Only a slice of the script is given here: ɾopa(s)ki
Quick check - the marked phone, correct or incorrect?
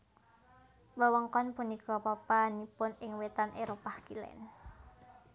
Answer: incorrect